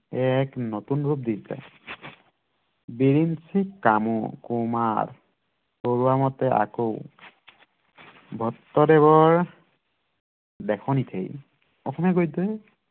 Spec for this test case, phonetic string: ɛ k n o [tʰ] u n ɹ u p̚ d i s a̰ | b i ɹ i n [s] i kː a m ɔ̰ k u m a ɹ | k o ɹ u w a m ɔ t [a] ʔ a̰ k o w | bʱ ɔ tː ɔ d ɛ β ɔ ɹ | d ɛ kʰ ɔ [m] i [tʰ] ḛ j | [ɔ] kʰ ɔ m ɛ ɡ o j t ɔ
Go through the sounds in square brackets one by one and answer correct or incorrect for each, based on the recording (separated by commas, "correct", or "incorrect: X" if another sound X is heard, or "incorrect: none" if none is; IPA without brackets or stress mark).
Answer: incorrect: t, correct, incorrect: ɛ, incorrect: n, correct, correct